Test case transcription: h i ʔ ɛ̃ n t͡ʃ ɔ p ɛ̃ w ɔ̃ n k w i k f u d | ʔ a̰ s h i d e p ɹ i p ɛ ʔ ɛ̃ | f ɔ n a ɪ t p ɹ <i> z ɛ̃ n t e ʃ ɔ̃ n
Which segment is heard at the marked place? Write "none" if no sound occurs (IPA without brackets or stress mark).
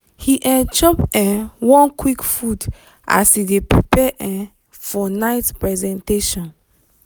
ɛ